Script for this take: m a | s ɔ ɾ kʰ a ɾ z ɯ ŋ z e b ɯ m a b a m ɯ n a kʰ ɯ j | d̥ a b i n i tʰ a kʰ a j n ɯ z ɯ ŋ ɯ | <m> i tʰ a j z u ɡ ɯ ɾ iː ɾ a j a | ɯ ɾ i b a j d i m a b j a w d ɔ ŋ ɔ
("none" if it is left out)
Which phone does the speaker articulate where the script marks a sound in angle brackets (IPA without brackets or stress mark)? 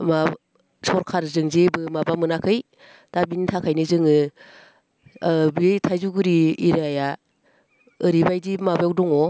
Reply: b